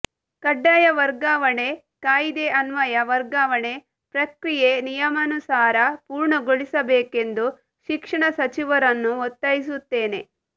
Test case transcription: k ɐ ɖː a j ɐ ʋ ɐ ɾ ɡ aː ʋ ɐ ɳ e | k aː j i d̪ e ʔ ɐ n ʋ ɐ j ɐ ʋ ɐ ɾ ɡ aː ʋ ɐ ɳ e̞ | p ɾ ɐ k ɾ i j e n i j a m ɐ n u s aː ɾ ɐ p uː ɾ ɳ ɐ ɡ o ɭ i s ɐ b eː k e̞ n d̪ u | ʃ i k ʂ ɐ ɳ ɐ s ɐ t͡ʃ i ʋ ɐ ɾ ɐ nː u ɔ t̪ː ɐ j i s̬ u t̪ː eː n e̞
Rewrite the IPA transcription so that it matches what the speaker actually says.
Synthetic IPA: k ɐ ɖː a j ɐ ʋ ɐ ɾ ɡ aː ʋ ɐ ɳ e | k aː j i d̪ e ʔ ɐ n ʋ ɐ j ɐ ʋ ɐ ɾ ɡ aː ʋ ɐ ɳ e̞ | p ɾ ɐ k ɾ i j e n i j ɐ m ɐ n u s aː ɾ ɐ p uː ɾ ɳ ɐ ɡ o ɭ i s ɐ b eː k e̞ n d̪ u | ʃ i k ʂ ɐ ɳ ɐ s ɐ t͡ʃ i ʋ ɐ ɾ ɐ nː u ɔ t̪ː ɐ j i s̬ u t̪ː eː n e̞